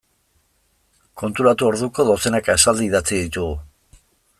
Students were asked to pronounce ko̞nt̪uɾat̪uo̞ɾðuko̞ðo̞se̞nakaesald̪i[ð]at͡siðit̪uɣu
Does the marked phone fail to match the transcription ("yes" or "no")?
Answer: no